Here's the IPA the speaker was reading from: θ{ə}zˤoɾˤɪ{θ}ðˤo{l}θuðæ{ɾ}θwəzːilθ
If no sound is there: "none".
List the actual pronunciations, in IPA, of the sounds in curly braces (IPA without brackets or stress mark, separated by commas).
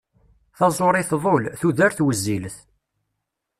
ɑ, θ, l, ɾ